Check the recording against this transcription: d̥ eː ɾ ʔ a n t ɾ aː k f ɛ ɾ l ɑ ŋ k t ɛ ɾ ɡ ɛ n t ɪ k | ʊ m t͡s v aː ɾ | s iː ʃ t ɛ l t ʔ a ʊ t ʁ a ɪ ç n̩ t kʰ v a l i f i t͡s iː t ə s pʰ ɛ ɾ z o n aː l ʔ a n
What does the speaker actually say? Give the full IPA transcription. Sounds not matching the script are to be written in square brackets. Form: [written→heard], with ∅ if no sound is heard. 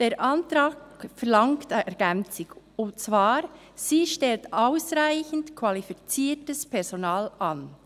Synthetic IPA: d̥ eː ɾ ʔ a n t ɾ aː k f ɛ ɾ l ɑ ŋ k t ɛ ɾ ɡ ɛ n [t→t͡s] ɪ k | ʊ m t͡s v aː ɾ | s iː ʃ t ɛ l t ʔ a ʊ [t→s] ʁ a ɪ ç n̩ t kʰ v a l i f i t͡s iː t ə s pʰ ɛ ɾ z o n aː l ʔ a n